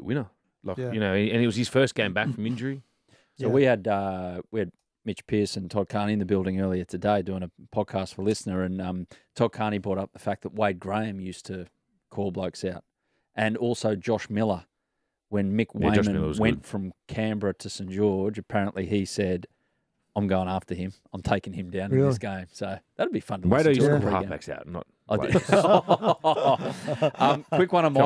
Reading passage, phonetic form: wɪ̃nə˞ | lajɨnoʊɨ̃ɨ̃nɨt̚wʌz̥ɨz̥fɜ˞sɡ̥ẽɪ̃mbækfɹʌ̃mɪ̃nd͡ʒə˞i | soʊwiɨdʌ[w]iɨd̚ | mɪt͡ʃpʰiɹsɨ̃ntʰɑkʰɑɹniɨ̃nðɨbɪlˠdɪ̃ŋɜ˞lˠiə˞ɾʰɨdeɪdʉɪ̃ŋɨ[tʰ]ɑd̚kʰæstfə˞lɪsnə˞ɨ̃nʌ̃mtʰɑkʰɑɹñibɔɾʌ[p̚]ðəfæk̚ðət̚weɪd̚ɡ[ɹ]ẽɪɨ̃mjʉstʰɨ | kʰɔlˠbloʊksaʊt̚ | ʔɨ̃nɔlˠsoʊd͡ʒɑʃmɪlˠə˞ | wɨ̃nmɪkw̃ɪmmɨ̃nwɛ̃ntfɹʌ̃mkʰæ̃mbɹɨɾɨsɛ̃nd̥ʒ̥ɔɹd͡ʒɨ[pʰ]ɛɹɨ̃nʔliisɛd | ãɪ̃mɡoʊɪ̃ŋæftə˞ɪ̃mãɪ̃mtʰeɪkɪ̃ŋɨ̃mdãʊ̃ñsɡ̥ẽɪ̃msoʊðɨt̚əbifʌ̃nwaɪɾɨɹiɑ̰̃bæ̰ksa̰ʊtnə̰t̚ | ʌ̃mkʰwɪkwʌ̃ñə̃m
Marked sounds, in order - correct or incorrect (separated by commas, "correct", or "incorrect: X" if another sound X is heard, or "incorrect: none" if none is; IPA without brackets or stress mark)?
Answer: correct, incorrect: pʰ, correct, correct, correct